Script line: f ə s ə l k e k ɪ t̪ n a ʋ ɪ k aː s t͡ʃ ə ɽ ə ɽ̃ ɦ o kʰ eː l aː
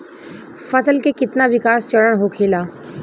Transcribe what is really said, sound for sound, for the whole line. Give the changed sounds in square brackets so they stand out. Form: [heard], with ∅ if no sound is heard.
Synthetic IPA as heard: f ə s ə l k e k ɪ t̪ n a ʋ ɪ k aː s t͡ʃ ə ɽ ə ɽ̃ ɦ o kʰ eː l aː